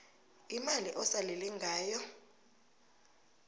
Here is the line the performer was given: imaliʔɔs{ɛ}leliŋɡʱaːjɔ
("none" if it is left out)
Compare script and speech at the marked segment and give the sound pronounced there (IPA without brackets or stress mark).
a